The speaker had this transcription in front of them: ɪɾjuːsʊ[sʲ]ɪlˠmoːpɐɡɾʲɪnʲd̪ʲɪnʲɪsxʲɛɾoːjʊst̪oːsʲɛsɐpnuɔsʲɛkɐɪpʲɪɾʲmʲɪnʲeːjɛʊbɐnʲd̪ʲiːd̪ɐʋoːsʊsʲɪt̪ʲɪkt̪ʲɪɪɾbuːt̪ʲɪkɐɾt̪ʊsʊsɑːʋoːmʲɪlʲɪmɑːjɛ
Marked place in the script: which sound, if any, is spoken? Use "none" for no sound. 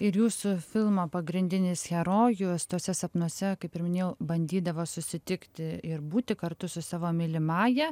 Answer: fʲ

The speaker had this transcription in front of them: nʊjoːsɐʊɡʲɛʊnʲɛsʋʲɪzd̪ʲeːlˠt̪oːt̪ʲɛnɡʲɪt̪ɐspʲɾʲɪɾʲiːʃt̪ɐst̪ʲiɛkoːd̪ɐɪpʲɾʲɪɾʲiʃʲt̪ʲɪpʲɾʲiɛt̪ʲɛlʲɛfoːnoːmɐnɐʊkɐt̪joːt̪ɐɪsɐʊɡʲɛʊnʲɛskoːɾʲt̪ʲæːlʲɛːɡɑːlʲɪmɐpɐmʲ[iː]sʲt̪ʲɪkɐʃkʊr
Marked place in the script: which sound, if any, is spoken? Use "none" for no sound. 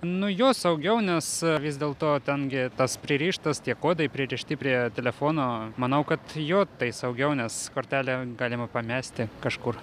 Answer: æː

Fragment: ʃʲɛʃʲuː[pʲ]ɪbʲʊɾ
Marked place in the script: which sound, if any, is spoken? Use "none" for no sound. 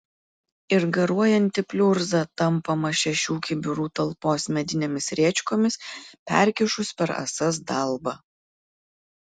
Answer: kʲ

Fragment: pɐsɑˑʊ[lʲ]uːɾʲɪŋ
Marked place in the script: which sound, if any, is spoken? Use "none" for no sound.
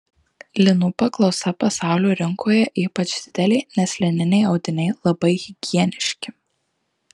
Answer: lʲ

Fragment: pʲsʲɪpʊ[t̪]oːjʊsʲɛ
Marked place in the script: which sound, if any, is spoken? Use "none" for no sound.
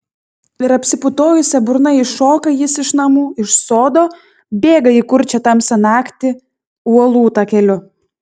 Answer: t̪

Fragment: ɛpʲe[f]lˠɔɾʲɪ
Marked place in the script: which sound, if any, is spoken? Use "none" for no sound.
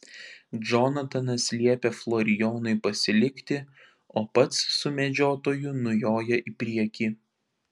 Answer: f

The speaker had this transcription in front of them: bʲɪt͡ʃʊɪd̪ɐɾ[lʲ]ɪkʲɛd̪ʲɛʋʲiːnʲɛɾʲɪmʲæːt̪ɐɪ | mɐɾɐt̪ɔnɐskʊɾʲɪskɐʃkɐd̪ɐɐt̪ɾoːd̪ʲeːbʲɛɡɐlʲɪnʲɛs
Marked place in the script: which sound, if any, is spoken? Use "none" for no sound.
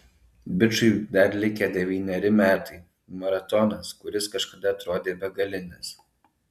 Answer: lʲ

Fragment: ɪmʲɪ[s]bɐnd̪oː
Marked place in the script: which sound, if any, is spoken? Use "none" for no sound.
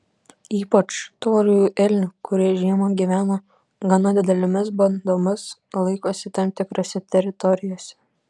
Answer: s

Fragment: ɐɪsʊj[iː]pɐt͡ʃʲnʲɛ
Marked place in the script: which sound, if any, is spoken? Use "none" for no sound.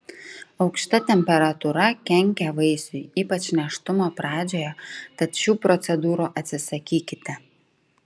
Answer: iː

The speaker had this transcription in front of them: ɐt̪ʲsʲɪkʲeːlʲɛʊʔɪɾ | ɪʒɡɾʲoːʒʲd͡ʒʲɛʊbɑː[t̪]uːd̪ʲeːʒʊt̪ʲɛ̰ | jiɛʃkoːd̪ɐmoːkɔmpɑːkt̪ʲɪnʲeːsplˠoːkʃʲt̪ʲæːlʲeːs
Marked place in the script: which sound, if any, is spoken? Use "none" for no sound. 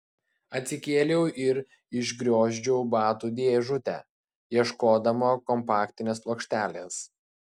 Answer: t̪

